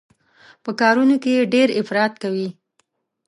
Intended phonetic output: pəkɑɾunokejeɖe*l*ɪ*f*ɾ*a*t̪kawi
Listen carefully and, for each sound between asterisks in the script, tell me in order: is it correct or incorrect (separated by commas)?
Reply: incorrect, correct, incorrect